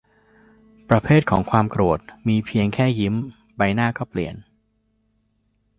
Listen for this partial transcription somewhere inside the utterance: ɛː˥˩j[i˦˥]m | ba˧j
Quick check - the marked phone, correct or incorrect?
correct